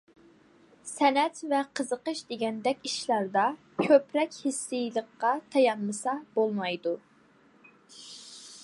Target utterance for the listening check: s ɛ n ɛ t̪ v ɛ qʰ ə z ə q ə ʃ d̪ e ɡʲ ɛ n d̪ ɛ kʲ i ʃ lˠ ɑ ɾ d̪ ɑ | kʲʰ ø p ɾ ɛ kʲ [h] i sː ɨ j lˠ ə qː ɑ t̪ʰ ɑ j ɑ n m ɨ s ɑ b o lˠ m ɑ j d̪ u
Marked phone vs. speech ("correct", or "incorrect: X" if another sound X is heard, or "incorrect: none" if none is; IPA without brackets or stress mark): correct